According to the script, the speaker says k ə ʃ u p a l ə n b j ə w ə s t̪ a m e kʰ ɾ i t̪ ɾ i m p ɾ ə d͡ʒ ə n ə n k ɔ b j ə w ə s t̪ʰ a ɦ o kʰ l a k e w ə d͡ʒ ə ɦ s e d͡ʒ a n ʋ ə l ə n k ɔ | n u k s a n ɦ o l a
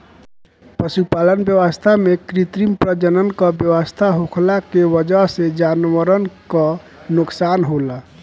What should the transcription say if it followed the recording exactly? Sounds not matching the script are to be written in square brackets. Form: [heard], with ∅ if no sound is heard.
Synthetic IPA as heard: [p] ə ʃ u p a l ə n b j ə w ə s [t̪ʰ] a m e [k] ɾ i t̪ ɾ i m p ɾ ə d͡ʒ ə n ə n k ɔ b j ə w ə s t̪ʰ a ɦ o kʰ l a k e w ə d͡ʒ ə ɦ s e d͡ʒ a n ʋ ə [ɾ] ə n k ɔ | n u k s a n ɦ o l a

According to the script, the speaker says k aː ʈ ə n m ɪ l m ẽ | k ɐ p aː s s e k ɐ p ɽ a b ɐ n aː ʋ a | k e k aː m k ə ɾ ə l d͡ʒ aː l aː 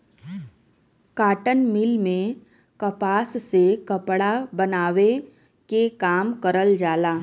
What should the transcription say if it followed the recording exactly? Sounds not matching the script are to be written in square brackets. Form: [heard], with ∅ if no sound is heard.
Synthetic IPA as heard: k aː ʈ ə n m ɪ l m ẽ | k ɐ p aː s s e k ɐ p ɽ a b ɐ n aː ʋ [e] | k e k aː m k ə ɾ ə l d͡ʒ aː l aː

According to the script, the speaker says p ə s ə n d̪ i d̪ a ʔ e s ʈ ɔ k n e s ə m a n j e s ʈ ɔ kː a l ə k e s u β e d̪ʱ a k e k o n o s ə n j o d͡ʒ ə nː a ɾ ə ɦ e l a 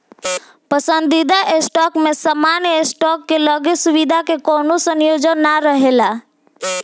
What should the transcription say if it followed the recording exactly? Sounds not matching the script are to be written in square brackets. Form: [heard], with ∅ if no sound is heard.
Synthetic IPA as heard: p ə s ə n d̪ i d̪ a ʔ e s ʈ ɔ k [m] e s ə m a n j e s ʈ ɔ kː [e] l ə [ɡ] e s u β [i] d̪ʱ a k e k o n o s ə n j o d͡ʒ ə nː a ɾ ə ɦ e l a

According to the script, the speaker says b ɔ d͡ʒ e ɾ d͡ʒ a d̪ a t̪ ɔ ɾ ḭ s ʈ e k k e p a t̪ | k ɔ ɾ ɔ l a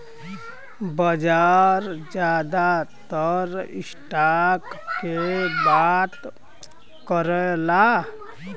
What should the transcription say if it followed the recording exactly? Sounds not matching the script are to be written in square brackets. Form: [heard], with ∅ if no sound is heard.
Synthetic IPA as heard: b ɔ d͡ʒ [a] ɾ d͡ʒ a d̪ a t̪ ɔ ɾ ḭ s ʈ [a] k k e [b] a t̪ | k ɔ ɾ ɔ l a

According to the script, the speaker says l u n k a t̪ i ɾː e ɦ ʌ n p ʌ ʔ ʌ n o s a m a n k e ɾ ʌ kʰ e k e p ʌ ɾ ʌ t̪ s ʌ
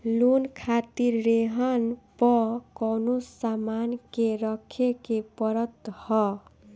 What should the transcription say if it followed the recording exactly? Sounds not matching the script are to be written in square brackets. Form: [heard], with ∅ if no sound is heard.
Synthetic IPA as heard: l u n [kʰ] a t̪ i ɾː e ɦ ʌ n p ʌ [k] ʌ n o s a m a n k e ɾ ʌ kʰ e k e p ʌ ɾ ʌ t̪ [h] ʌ

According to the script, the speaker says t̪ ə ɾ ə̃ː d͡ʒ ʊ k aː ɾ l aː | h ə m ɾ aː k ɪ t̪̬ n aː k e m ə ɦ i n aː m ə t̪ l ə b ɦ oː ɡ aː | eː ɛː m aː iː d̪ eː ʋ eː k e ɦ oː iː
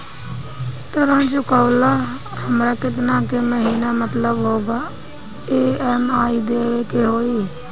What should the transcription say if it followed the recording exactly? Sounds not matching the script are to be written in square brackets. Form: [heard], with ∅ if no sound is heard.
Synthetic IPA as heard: t̪ ə ɾ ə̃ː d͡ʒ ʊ k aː [∅] l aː | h ə m ɾ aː k ɪ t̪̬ n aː k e m ə ɦ [iː] n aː m ə t̪ l ə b ɦ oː ɡ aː | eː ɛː m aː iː d̪ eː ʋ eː k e ɦ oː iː

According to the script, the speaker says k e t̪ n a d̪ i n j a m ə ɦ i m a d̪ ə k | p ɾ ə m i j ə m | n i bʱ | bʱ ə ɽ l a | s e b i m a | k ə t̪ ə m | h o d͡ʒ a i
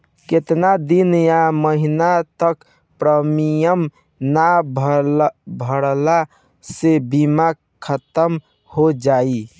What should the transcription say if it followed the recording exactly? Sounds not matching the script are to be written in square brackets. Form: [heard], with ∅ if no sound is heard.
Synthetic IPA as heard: k e t̪ n a d̪ i n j a m ə ɦ i [n] a [t̪] ə k | p ɾ ə m i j ə m | n [a] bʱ | bʱ ə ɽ l a | s e b i m a | [kʰ] ə t̪ ə m | h o d͡ʒ a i

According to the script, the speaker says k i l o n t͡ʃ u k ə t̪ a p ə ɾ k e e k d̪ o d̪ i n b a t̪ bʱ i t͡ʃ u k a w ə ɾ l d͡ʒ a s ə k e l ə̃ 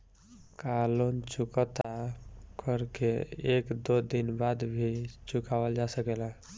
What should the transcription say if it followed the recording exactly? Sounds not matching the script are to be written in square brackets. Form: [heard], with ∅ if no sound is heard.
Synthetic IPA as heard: k [a] l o n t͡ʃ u k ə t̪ a [k] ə ɾ k e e k d̪ o d̪ i n b a [d̪] bʱ i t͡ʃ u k a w ə [∅] l d͡ʒ a s ə k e l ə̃

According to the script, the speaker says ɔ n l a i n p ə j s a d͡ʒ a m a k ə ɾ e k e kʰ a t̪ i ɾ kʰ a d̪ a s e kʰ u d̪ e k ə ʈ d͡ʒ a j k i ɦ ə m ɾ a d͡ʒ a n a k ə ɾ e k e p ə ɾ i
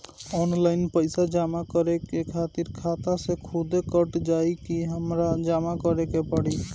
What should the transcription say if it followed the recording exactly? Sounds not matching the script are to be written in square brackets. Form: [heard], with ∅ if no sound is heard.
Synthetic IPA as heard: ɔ n l a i n p ə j s a d͡ʒ a m a k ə ɾ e k e kʰ a t̪ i ɾ kʰ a [t̪] a s e kʰ u d̪ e k ə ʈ d͡ʒ a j k i ɦ ə m ɾ a d͡ʒ a [m] a k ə ɾ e k e p ə [ɽ] i

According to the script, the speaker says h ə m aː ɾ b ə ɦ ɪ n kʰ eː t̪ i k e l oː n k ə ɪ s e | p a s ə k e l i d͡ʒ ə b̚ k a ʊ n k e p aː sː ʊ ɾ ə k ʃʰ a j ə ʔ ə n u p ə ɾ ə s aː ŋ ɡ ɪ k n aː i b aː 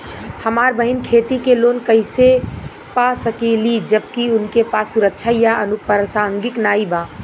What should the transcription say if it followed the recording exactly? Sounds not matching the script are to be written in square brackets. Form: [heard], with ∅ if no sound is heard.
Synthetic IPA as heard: h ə m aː ɾ b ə ɦ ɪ n kʰ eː t̪ i k e l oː n k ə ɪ s e | p a s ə k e l i d͡ʒ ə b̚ k [i] ʊ n k e p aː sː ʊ ɾ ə k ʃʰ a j [a] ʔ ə n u p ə ɾ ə s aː ŋ ɡ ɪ k n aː i b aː

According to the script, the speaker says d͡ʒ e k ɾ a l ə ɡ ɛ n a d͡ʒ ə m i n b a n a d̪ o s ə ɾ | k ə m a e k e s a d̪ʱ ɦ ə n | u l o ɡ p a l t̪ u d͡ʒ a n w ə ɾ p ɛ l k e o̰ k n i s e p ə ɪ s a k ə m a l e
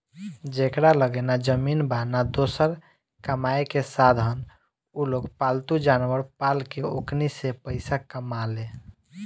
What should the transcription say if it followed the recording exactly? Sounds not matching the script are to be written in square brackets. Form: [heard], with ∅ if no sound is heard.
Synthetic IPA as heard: d͡ʒ e k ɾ a l ə ɡ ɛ n a d͡ʒ ə m i n b a n a d̪ o s ə ɾ | k ə m a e k e s a d̪ʱ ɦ ə n | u l o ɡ p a l t̪ u d͡ʒ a n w ə ɾ p [a] l k e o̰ k n i s e p ə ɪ s a k ə m a l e

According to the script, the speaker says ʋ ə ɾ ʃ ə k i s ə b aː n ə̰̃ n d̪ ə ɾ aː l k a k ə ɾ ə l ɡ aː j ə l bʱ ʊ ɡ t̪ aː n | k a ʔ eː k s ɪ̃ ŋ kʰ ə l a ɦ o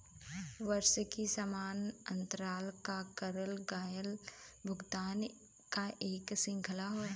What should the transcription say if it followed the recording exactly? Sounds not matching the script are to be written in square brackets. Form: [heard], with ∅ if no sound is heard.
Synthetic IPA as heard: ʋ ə ɾ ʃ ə k i s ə [m] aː n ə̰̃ n [t̪] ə ɾ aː l k a k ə ɾ ə l ɡ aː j ə l bʱ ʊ ɡ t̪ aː n | k a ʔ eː k s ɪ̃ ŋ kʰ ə l a ɦ o

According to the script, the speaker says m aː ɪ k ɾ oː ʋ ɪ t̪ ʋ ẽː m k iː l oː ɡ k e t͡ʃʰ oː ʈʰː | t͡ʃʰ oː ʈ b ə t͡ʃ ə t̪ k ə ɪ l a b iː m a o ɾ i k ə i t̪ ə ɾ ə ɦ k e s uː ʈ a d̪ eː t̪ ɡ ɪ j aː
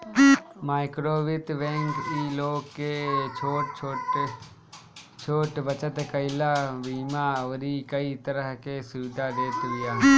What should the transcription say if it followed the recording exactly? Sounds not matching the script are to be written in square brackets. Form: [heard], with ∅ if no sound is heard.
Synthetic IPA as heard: m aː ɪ k ɾ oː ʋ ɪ t̪ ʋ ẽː [ŋ] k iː l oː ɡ k e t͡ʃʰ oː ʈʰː | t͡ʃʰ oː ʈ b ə t͡ʃ ə t̪ k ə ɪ l a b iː m a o ɾ i k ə i t̪ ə ɾ ə ɦ k e s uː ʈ a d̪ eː t̪ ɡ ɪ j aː

